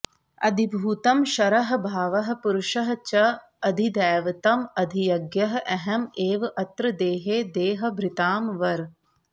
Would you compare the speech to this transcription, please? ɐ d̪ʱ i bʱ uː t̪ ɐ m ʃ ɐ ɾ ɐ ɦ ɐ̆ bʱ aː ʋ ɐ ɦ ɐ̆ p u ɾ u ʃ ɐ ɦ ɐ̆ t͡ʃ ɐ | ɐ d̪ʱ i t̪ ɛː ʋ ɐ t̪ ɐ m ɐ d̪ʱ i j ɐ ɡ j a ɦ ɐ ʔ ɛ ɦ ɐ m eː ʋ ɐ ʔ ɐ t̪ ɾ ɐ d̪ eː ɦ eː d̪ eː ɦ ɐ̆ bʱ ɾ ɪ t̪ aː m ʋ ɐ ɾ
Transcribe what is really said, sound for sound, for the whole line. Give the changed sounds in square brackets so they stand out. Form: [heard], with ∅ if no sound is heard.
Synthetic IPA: ɐ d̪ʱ i bʱ uː t̪ ɐ m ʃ ɐ ɾ ɐ ɦ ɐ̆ bʱ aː ʋ ɐ ɦ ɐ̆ p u ɾ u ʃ ɐ ɦ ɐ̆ t͡ʃ ɐ | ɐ d̪ʱ i [d̪] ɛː ʋ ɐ t̪ ɐ m ɐ d̪ʱ i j ɐ ɡ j [ɐ] ɦ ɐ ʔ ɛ ɦ ɐ m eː ʋ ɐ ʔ ɐ t̪ ɾ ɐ d̪ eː ɦ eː d̪ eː ɦ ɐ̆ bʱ ɾ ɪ t̪ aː m ʋ ɐ ɾ